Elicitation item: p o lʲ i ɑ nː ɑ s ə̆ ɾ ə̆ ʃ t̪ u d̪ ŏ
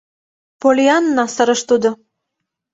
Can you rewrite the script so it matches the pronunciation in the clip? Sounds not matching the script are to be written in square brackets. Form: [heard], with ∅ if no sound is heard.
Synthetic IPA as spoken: p o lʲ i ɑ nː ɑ s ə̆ ɾ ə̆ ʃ t̪ u d̪ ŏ